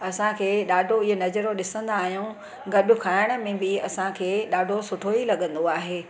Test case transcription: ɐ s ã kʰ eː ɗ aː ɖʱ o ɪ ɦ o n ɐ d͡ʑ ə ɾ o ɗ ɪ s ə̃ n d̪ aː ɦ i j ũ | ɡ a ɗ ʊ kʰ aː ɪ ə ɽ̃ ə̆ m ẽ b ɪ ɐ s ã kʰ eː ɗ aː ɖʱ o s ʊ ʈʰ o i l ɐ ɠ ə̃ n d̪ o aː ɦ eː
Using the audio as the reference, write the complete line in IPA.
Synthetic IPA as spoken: ɐ s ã kʰ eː ɗ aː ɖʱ o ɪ ɦ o n ɐ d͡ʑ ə ɾ o ɗ ɪ s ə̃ n d̪ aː ɦ i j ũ | ɡ ɐ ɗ ʊ kʰ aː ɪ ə ɽ̃ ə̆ m ẽ b ɪ ɐ s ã kʰ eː ɗ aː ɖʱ o s ʊ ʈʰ o i l ɐ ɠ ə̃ n d̪ o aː ɦ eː

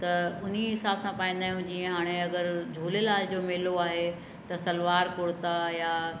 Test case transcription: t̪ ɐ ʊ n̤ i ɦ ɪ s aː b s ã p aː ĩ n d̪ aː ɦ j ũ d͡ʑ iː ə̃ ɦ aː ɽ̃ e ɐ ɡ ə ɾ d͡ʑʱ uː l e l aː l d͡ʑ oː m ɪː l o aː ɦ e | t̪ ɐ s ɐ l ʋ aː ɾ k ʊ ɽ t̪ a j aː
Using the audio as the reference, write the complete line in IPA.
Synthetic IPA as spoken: t̪ ɐ ʊ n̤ i ɦ ɪ s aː b s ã p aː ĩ n d̪ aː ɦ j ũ d͡ʑ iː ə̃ ɦ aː ɽ̃ e ɐ ɡ ə ɾ d͡ʑʱ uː l e l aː l d͡ʑ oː m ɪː l o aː ɦ e | t̪ ɐ s ɐ l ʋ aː ɾ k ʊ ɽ t̪ a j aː

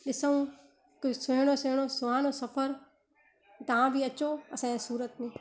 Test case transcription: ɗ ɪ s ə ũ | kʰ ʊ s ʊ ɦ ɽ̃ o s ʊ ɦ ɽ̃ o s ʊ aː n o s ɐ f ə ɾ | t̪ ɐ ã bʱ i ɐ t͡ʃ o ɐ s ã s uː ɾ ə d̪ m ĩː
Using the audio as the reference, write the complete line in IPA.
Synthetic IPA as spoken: ɗ ɪ s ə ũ | k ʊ s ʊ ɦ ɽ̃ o s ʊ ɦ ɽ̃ o s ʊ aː n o s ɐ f ə ɾ | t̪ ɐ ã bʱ i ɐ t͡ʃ o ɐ s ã s uː ɾ ə t̪ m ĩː

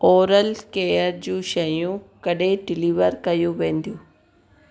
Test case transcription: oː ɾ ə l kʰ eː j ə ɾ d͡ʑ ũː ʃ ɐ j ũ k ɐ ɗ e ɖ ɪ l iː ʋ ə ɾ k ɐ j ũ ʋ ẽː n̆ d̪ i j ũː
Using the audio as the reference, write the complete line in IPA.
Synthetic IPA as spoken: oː ɾ ə l k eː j ə ɾ d͡ʑ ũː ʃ ɐ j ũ k ɐ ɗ e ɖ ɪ l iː ʋ ə ɾ k ɐ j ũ ʋ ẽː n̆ d̪ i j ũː

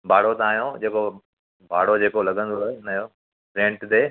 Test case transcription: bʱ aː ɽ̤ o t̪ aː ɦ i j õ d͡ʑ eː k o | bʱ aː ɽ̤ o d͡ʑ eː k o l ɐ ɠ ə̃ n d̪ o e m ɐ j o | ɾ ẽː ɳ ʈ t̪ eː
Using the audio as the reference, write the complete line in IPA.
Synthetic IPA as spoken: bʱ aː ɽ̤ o t̪ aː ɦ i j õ d͡ʑ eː k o | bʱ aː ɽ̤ o d͡ʑ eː k o l ɐ ɠ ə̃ n d̪ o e n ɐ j o | ɾ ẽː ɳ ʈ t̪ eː

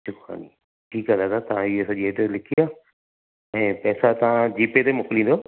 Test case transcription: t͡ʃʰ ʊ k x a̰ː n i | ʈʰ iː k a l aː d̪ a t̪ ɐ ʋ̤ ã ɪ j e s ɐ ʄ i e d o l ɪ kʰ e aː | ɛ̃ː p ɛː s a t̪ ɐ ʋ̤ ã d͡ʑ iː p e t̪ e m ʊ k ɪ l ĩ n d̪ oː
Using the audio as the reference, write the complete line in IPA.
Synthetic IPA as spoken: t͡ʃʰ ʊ k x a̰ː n i | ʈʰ iː k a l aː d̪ a t̪ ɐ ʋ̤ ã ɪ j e s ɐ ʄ i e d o l ɪ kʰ i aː | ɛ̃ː p ɛː s a t̪ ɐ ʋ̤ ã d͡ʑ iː p e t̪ e m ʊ k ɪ l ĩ n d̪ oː

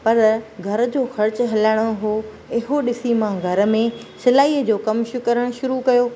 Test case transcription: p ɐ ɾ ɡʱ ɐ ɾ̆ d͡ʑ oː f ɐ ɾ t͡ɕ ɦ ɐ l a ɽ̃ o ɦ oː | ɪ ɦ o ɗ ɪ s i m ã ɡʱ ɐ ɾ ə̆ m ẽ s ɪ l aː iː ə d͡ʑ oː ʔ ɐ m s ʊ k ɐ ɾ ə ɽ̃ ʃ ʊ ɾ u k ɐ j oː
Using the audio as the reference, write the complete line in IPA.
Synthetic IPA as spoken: p ɐ ɾ ɡʱ ɐ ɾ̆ d͡ʑ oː x ɐ ɾ t͡ɕ ɦ ɐ l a ɽ̃ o ɦ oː | ɪ ɦ o ɗ ɪ s i m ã ɡʱ ɐ ɾ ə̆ m ẽ s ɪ l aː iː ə d͡ʑ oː k ɐ m ʃ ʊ k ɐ ɾ ə ɽ̃ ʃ ʊ ɾ u k ɐ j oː

